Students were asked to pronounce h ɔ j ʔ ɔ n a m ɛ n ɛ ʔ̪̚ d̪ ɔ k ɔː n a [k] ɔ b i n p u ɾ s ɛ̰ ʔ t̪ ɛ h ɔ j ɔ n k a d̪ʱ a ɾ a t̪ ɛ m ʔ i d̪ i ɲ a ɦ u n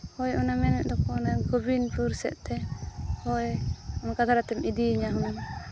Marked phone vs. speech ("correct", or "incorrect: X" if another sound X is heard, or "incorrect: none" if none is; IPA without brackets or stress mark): incorrect: ɡ